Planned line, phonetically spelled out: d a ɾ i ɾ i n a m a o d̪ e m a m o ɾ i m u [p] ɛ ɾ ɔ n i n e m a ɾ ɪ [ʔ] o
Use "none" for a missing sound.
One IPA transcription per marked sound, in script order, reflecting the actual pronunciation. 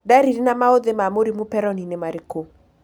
p, k

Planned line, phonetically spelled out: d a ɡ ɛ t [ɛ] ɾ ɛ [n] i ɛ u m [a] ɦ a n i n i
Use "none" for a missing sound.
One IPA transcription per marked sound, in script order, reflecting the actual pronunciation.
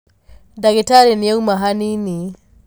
a, n, a

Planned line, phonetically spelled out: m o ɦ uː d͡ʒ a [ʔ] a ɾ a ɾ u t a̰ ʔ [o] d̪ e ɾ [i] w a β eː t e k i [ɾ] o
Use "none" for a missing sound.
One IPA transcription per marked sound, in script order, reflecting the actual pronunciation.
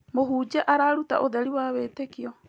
ʔ, o, i, none

